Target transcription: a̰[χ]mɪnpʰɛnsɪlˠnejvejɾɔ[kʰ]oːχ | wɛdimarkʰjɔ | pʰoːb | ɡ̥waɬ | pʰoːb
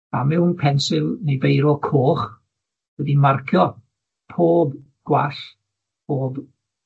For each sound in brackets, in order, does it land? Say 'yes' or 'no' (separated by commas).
no, yes